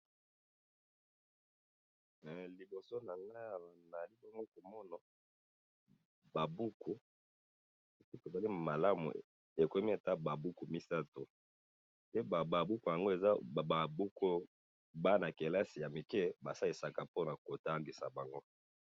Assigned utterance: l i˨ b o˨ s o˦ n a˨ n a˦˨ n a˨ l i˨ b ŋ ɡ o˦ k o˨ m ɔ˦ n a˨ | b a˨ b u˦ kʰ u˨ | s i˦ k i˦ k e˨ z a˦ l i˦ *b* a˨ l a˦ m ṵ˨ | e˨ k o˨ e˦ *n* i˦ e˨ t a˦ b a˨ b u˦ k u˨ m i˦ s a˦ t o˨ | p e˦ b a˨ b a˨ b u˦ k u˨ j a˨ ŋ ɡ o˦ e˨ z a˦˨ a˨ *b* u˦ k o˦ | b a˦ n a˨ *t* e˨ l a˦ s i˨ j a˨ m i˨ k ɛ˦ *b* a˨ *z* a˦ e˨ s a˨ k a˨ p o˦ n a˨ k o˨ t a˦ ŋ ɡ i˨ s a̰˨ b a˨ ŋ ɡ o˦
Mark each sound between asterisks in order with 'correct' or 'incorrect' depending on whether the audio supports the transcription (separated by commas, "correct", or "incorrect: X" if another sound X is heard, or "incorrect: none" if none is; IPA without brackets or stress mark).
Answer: incorrect: m, incorrect: m, correct, incorrect: k, correct, incorrect: s